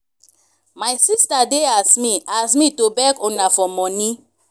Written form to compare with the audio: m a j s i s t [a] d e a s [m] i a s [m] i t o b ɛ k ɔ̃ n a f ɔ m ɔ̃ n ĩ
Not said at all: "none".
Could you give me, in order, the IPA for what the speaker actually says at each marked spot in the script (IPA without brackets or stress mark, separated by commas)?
a, m, m